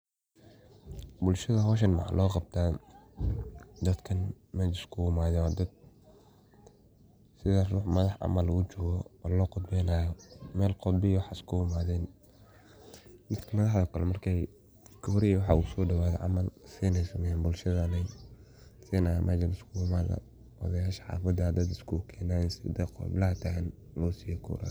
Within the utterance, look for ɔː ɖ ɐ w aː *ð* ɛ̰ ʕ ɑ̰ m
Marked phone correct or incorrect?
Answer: correct